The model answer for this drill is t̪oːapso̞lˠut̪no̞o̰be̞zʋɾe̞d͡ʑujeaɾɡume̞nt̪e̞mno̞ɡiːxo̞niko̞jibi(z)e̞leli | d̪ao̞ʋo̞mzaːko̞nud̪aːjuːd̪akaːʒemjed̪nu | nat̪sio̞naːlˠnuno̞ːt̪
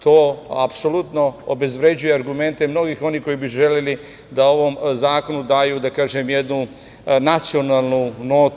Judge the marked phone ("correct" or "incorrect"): incorrect